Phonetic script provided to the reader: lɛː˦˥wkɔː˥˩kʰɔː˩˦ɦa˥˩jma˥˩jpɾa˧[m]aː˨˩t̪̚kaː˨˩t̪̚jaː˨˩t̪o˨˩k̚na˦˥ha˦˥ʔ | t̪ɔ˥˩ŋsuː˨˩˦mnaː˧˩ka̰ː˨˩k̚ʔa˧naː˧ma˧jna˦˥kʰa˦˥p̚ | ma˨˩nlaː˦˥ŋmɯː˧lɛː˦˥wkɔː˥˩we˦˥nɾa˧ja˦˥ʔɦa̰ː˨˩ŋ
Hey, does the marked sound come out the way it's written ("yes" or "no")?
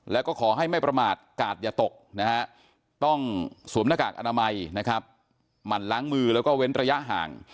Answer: yes